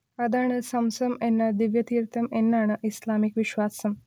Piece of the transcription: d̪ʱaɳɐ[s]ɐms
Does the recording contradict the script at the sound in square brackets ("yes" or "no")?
no